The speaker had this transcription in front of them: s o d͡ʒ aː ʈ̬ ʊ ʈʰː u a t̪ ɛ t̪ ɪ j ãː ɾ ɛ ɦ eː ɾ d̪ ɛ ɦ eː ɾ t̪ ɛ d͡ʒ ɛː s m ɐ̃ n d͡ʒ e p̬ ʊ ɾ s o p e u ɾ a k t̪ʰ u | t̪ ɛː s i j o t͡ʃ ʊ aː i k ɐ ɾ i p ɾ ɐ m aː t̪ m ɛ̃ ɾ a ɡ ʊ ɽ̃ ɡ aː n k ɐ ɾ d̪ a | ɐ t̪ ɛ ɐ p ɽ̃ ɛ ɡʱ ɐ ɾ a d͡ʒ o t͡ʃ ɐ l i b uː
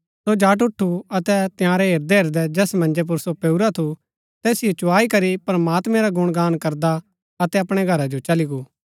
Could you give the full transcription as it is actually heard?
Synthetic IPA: s o d͡ʒ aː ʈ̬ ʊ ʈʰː u ɐ t̪ ɛ t̪ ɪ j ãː ɾ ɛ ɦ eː ɾ d̪ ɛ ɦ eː ɾ d̪ ɛ d͡ʒ ɛː s m ɐ̃ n d͡ʒ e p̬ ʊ ɾ s o p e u ɾ a t̪ʰ u | t̪ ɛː s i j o t͡ʃ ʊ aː i k ɐ ɾ i p ɾ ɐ m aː t̪ m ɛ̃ ɾ a ɡ ʊ ɽ̃ ɡ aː n k ɐ ɾ d̪ a | ɐ t̪ ɛ ɐ p ɽ̃ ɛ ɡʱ ɐ ɾ a d͡ʒ o t͡ʃ ɐ l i ɡ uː